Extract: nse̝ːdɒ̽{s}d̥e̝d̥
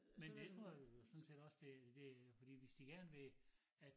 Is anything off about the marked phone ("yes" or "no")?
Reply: no